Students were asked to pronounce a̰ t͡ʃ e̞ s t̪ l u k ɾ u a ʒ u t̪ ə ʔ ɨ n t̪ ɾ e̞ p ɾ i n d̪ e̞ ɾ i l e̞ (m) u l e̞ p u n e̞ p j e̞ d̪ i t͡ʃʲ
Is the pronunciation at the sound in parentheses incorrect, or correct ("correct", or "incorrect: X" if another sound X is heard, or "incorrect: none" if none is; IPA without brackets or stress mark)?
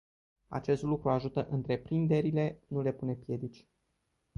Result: incorrect: n